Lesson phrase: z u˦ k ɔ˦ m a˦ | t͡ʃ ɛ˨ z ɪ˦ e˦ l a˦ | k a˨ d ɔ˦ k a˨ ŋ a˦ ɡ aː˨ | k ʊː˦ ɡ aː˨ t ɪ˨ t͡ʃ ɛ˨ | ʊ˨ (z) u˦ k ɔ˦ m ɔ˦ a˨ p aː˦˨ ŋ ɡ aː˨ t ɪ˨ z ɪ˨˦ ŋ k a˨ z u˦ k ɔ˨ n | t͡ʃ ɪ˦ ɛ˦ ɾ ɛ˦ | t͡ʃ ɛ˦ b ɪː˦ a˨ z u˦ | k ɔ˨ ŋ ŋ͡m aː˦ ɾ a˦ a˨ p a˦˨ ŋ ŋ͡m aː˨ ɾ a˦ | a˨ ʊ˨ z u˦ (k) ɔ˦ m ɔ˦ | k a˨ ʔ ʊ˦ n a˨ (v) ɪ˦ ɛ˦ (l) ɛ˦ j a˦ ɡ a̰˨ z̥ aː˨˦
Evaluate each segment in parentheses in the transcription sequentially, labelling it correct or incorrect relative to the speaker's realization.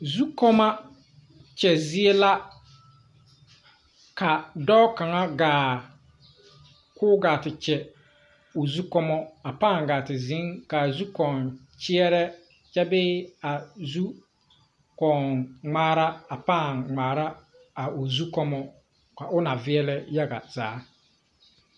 correct, correct, correct, correct

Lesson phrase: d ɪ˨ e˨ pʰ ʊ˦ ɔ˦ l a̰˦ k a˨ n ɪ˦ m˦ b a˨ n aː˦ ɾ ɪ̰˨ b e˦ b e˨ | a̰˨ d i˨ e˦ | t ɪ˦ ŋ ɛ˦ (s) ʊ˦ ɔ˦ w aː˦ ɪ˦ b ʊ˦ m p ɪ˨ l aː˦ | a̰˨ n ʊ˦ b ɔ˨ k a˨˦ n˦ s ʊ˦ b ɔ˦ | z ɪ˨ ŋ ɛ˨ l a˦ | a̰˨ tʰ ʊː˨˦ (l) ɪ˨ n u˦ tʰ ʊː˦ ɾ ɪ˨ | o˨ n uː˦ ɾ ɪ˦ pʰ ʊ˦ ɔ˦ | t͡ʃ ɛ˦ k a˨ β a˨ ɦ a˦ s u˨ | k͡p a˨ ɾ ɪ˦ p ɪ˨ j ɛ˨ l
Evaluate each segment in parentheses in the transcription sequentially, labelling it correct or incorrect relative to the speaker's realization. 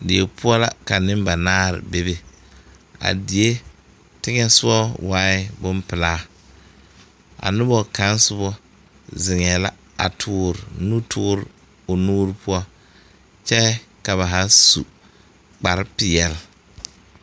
correct, incorrect: ɾ

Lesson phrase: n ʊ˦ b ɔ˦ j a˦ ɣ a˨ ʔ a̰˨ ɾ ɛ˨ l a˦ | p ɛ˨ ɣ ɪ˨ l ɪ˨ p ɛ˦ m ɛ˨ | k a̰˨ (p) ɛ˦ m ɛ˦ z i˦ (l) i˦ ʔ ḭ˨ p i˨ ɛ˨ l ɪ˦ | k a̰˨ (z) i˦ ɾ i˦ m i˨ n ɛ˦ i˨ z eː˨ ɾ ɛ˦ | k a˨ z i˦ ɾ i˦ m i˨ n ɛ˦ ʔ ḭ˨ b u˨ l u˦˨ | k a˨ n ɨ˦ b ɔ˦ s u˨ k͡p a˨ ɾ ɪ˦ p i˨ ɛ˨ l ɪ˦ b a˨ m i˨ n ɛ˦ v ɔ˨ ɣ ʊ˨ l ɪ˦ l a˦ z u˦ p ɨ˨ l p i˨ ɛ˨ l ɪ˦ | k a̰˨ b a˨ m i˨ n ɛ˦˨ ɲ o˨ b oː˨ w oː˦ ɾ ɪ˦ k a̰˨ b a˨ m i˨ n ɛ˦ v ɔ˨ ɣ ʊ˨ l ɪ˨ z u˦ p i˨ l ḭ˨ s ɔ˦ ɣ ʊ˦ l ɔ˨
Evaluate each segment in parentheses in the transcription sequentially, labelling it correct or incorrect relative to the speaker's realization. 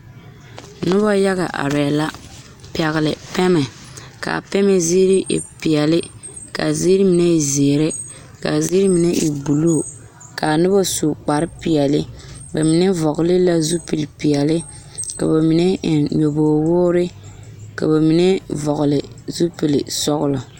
correct, incorrect: ɾ, correct

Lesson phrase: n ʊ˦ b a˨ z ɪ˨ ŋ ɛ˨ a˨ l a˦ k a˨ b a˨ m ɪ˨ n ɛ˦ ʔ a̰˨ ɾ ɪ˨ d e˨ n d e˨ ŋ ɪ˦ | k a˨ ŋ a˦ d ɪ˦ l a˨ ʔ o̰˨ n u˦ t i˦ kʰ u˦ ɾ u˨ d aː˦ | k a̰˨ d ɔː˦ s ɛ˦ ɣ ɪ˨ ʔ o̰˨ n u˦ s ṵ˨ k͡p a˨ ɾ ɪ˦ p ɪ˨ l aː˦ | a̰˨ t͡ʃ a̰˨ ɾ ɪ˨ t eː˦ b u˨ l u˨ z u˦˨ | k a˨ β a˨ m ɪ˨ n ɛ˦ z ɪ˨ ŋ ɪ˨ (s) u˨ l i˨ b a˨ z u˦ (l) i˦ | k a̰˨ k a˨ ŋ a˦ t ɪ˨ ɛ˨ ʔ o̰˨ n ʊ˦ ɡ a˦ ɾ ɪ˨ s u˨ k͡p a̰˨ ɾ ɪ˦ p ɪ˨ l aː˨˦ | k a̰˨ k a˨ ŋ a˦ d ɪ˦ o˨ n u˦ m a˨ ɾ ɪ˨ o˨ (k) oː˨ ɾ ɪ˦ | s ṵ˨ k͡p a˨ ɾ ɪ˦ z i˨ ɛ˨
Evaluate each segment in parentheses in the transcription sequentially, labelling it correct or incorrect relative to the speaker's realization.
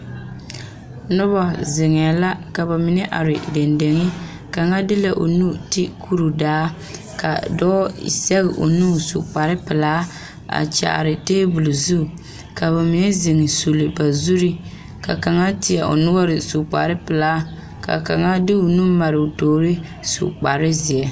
correct, incorrect: ɾ, incorrect: t

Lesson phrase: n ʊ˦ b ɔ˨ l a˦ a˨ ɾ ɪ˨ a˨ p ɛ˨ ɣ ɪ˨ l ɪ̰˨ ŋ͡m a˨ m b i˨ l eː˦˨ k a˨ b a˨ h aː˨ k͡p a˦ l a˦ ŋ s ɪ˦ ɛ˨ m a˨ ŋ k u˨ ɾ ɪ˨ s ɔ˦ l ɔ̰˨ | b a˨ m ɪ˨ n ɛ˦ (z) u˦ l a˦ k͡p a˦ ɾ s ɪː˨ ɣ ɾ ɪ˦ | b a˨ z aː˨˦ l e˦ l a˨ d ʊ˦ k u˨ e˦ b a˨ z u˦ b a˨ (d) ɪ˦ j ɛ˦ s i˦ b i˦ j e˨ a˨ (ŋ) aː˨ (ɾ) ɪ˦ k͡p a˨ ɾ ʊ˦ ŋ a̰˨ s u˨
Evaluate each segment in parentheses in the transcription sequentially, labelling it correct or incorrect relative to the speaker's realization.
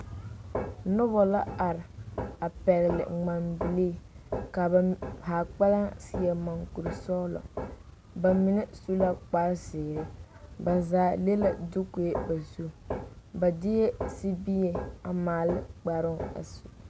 incorrect: s, correct, incorrect: m, incorrect: l

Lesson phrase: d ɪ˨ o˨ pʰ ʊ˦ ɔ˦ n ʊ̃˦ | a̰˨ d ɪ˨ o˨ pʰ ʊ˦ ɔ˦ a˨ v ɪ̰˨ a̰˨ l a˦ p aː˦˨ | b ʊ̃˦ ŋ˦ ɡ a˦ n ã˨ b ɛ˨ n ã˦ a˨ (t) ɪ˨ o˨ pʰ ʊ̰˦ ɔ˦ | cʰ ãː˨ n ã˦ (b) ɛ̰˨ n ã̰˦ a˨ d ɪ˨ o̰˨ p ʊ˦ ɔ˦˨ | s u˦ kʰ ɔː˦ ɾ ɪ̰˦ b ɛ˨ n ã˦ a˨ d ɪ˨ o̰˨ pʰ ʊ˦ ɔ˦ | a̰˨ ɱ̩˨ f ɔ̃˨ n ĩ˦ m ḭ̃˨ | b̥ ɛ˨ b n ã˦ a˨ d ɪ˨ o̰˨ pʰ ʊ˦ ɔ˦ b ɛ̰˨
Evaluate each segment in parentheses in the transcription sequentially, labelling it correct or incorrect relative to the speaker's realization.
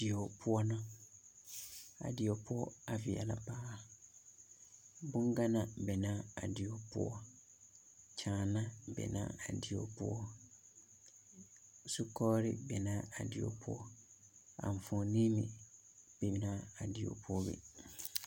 incorrect: d, correct

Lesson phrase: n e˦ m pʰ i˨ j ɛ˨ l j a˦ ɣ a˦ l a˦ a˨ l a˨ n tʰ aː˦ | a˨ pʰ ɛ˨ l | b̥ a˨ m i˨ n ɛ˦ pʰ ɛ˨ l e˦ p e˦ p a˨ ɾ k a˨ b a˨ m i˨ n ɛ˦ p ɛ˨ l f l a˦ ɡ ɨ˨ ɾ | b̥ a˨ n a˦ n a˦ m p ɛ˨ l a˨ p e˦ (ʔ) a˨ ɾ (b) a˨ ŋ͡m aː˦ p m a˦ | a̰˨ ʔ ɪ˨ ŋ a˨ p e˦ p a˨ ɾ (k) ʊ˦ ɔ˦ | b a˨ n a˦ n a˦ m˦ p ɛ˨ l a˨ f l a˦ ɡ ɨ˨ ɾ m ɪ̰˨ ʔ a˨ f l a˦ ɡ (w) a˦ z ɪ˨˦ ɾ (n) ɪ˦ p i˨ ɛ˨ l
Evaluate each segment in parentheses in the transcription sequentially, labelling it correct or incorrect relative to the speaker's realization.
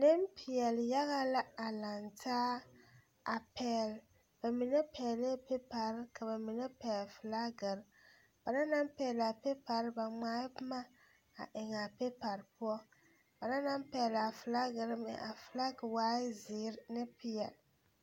incorrect: p, correct, incorrect: p, correct, correct

